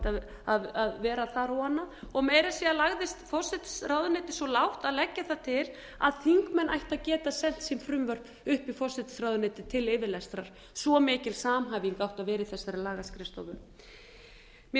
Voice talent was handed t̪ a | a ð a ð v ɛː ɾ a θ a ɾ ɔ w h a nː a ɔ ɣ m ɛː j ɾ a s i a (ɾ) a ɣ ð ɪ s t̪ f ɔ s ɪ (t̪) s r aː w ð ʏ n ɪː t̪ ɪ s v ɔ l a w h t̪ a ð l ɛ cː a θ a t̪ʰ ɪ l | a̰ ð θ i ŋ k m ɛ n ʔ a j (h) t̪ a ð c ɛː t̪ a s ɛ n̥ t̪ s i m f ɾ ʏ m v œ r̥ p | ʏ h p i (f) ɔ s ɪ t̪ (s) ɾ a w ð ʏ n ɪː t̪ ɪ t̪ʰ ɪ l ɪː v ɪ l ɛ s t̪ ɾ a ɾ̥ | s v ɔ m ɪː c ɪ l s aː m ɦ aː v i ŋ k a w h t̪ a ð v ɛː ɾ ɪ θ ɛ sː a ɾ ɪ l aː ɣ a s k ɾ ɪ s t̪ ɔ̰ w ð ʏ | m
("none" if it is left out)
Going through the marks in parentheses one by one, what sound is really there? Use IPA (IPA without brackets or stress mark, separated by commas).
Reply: l, t̪, h, f, s